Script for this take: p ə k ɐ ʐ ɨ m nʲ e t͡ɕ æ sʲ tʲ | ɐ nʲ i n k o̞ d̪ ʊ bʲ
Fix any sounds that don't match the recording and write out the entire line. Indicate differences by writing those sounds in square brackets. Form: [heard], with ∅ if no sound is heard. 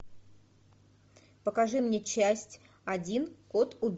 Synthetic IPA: p ə k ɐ ʐ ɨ m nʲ e t͡ɕ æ sʲ tʲ | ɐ [dʲ] i n k o̞ [t̪] ʊ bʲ